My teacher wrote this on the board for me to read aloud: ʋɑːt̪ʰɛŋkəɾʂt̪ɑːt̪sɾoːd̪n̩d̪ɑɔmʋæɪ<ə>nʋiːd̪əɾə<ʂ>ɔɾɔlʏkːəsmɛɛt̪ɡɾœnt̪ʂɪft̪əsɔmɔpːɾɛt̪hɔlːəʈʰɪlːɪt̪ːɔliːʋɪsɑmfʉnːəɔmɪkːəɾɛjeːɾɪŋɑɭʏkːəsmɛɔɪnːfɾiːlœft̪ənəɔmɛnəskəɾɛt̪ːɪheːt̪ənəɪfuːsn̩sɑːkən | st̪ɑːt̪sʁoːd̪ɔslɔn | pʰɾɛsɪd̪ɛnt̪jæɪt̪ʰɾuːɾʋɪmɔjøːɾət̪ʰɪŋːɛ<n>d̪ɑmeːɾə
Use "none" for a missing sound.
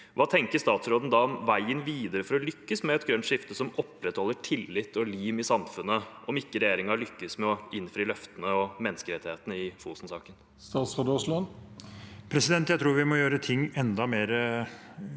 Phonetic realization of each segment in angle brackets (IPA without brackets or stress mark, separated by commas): ə, f, n